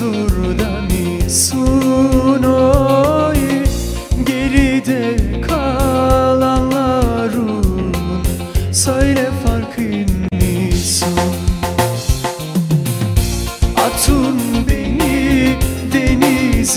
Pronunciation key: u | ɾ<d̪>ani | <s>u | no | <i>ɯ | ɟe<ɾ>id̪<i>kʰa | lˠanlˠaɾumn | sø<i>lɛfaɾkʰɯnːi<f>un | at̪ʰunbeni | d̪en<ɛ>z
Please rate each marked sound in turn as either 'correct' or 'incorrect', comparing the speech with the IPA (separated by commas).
correct, correct, incorrect, correct, incorrect, incorrect, incorrect, incorrect